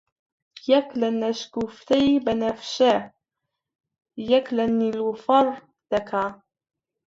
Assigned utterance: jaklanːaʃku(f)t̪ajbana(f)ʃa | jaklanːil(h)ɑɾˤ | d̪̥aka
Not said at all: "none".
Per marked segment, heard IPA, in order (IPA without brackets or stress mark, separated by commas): f, f, f